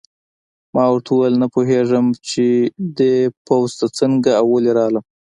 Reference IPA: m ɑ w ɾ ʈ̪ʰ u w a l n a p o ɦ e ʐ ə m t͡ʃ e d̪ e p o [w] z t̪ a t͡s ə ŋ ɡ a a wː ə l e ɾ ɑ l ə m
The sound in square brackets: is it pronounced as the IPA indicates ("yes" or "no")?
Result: yes